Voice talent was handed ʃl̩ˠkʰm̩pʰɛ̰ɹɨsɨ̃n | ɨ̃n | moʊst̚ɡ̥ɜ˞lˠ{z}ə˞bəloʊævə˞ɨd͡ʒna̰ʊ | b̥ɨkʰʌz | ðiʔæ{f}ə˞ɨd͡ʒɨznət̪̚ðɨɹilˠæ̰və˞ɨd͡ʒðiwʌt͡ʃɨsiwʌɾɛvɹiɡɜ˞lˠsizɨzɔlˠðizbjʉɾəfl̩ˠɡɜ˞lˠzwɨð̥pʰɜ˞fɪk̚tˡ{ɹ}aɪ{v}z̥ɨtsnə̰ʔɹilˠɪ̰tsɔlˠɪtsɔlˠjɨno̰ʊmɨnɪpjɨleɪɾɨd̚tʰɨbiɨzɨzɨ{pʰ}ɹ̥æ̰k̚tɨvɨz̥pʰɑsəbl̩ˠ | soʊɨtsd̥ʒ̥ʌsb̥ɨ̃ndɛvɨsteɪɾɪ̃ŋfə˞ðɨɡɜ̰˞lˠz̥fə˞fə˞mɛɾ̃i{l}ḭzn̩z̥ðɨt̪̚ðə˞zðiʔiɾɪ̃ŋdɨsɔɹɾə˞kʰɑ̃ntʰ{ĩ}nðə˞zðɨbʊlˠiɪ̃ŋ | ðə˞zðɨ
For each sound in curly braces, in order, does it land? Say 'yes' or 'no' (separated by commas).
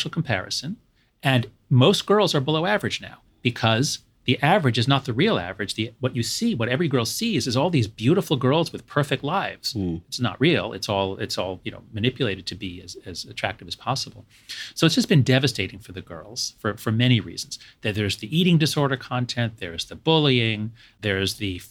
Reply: yes, no, no, yes, no, no, no